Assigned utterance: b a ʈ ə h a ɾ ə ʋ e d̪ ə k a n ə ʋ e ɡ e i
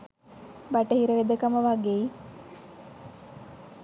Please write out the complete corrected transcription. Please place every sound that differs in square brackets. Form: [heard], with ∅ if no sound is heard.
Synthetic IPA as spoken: b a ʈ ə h [i] ɾ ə ʋ e d̪ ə k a [m] ə ʋ [a] ɡ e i